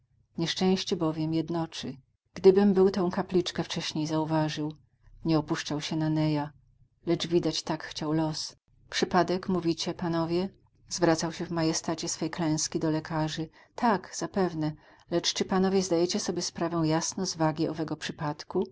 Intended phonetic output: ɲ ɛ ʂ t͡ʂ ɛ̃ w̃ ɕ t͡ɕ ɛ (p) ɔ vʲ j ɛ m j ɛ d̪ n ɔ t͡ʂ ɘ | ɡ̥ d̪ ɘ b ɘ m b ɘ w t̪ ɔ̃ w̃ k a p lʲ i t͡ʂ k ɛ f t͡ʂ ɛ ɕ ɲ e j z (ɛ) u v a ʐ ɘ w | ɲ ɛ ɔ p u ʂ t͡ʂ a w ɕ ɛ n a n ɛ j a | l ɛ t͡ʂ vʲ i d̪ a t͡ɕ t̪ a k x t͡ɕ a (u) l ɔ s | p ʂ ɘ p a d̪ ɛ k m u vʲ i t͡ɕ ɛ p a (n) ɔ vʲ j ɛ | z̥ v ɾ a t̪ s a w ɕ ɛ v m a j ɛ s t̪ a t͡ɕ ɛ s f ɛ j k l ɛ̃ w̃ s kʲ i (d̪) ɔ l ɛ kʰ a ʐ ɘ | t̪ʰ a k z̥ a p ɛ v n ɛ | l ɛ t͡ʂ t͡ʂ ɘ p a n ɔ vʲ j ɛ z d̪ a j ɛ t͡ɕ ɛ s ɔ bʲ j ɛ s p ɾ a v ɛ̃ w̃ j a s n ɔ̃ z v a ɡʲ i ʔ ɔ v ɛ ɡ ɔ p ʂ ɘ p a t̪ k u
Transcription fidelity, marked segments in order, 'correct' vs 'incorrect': incorrect, incorrect, incorrect, correct, correct

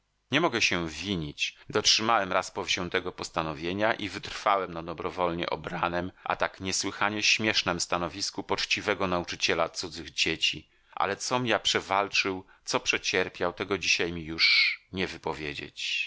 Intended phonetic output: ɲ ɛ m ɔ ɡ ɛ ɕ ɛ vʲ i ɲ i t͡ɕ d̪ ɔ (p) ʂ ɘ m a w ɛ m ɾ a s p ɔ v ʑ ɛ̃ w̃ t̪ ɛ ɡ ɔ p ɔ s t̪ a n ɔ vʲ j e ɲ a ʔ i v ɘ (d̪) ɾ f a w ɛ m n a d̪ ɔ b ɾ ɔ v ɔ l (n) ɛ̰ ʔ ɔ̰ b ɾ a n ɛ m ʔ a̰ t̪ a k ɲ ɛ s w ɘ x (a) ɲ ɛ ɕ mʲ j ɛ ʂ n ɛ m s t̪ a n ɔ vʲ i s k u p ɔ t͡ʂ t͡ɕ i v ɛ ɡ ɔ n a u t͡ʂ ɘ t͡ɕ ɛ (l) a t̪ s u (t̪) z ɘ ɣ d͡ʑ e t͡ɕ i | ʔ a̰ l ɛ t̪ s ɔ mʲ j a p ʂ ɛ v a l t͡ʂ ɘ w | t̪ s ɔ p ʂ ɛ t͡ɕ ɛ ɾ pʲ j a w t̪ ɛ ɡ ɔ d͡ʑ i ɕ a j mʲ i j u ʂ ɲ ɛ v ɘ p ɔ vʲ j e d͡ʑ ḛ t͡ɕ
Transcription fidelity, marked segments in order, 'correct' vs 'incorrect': incorrect, incorrect, incorrect, correct, correct, incorrect

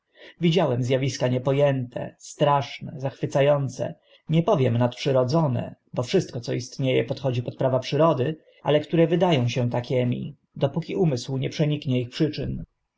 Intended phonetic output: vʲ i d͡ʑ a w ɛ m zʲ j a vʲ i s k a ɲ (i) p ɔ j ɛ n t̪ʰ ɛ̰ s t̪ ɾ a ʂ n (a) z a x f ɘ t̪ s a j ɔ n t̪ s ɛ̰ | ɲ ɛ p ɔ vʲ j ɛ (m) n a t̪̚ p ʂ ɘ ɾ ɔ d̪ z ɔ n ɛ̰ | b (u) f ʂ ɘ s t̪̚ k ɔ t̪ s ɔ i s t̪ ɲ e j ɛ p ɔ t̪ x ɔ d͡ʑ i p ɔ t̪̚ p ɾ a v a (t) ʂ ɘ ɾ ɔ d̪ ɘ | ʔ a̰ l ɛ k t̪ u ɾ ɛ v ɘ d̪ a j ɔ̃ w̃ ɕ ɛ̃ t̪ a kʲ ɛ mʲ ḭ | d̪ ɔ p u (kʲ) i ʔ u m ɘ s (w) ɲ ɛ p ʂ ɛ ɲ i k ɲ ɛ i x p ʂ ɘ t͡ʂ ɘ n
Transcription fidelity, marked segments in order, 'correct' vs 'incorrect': incorrect, incorrect, correct, incorrect, incorrect, correct, correct

